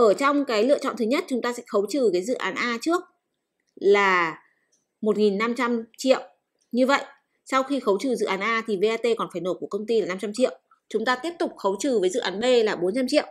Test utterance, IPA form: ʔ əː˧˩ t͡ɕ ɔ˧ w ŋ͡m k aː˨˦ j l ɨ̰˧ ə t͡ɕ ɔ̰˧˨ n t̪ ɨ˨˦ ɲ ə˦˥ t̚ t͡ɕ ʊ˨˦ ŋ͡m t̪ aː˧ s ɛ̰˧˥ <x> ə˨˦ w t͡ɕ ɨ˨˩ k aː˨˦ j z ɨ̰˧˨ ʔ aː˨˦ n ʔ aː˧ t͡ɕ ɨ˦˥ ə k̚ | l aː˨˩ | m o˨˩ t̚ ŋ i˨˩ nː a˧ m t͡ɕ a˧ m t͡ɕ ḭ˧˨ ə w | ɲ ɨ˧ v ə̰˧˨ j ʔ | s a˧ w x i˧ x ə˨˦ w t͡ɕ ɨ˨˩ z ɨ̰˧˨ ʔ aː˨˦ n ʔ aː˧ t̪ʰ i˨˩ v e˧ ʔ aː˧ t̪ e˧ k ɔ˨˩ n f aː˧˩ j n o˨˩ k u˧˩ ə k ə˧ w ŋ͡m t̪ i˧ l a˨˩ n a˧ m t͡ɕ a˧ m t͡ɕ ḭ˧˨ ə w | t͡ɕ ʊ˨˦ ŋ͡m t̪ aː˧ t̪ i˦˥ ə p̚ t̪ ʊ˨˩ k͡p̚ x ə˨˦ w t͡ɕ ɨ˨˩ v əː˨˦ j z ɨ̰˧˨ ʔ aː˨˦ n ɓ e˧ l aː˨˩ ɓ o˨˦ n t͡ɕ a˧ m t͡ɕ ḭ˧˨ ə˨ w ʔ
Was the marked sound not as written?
no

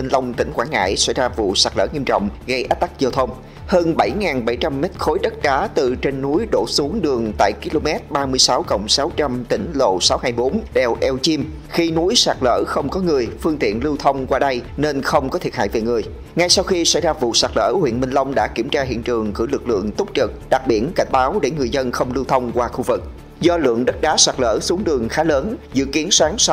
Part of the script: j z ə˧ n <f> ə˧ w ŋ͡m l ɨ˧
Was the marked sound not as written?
yes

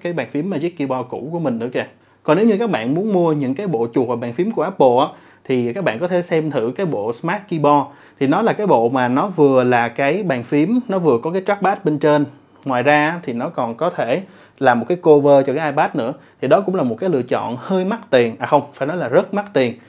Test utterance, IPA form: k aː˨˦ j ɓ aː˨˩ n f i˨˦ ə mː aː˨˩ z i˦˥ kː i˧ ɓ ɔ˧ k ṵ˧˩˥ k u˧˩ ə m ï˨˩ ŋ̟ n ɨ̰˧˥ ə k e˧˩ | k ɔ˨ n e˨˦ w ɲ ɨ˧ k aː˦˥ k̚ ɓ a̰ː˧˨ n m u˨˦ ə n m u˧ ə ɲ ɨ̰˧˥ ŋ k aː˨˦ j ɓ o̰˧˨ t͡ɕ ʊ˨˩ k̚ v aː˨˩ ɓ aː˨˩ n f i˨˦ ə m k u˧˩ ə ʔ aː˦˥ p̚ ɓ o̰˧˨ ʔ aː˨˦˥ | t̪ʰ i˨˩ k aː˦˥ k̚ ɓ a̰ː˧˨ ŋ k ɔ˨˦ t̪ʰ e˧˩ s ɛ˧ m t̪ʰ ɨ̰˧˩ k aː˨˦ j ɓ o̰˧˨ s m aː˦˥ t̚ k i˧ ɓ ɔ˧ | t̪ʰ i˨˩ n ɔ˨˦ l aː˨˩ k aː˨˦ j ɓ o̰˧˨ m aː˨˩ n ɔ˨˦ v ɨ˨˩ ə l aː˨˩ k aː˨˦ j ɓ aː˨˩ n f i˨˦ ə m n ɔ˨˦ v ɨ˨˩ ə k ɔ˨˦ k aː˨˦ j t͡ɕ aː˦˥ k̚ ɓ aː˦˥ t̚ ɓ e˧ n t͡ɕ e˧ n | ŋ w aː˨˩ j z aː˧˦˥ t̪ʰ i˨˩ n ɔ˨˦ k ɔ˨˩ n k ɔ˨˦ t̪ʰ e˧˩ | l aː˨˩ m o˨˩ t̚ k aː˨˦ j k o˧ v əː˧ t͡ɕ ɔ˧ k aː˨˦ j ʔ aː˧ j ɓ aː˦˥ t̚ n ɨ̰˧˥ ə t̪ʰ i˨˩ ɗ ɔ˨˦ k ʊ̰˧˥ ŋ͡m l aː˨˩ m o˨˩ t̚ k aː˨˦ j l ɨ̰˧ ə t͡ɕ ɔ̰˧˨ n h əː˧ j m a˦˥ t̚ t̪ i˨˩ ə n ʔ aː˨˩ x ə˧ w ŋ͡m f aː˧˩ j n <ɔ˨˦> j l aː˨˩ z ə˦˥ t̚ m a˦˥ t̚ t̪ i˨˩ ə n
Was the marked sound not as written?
no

